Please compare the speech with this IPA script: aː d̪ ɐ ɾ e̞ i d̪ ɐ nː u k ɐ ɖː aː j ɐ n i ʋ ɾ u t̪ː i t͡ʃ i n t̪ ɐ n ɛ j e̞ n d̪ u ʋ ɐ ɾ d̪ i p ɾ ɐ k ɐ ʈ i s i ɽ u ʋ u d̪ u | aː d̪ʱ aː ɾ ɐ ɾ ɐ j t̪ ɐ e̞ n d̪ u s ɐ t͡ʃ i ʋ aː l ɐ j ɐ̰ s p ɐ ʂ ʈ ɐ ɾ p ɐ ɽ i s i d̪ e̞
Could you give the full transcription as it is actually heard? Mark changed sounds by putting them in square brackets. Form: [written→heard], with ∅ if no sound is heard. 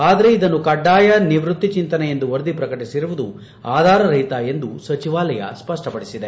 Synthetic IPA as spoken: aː d̪ ɐ ɾ e̞ i d̪ ɐ nː u k ɐ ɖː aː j ɐ n i ʋ ɾ u t̪ː i t͡ʃ i n t̪ ɐ n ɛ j e̞ n d̪ u ʋ ɐ ɾ d̪ i p ɾ ɐ k ɐ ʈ i s i [ɽ→ɾ] u ʋ u d̪ u | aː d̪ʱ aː ɾ ɐ ɾ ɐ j t̪ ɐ e̞ n d̪ u s ɐ t͡ʃ i ʋ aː l ɐ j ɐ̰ s p ɐ ʂ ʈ ɐ [ɾ→∅] p ɐ ɽ i s i d̪ e̞